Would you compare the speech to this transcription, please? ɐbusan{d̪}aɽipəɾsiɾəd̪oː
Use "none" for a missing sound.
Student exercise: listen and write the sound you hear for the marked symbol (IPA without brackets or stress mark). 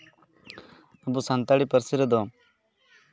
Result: t̪